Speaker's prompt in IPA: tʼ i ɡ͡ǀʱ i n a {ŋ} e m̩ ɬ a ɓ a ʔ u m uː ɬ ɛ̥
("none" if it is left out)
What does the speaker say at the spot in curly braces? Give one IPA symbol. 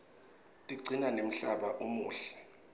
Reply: n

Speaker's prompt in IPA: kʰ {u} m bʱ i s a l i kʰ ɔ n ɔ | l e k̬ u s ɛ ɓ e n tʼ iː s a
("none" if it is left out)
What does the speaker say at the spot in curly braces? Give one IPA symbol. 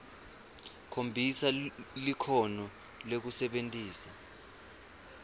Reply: o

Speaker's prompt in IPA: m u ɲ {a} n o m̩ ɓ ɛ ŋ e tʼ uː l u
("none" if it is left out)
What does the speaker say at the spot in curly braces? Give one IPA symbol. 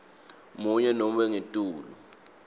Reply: ɛ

